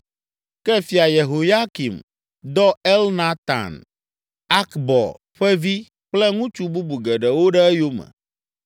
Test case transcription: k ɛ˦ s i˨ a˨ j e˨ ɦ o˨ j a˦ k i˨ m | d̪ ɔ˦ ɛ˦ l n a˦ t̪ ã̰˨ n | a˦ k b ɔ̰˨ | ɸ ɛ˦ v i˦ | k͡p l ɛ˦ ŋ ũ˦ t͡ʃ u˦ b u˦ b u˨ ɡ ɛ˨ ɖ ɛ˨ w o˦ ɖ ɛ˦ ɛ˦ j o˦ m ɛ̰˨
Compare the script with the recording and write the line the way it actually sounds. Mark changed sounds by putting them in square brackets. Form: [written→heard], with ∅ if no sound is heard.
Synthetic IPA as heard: k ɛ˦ [s→f] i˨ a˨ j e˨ ɦ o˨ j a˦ k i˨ m | d̪ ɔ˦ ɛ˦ l n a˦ t̪ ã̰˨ n | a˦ k b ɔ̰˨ | ɸ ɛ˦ v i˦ | k͡p l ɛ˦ ŋ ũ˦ t͡ʃ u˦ b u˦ b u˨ ɡ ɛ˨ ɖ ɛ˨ w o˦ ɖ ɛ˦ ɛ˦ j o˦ m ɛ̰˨